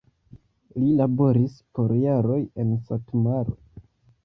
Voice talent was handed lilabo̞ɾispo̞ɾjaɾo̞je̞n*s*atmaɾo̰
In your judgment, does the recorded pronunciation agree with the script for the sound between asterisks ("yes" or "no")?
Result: yes